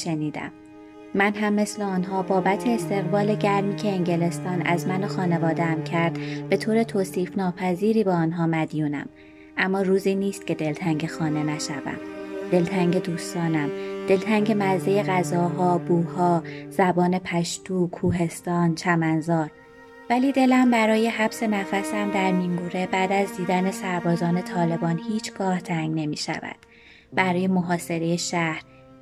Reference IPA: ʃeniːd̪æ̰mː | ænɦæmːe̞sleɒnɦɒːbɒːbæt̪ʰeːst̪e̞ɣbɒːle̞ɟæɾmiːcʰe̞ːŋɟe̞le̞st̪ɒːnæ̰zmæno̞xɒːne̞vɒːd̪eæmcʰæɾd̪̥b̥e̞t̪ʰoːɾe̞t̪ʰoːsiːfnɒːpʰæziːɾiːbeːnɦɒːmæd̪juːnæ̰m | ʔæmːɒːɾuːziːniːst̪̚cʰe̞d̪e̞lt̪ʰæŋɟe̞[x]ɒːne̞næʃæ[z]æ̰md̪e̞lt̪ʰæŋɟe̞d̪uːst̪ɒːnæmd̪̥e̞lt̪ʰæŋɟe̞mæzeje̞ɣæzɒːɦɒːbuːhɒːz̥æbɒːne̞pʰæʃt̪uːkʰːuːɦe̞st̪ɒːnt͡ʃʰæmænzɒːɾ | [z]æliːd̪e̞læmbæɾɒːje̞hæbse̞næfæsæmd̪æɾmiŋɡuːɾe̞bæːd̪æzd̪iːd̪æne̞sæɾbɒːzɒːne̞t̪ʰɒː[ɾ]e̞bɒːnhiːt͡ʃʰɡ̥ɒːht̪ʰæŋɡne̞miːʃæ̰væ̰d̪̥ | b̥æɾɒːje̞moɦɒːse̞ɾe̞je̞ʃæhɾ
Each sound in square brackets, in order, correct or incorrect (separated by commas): correct, incorrect, incorrect, incorrect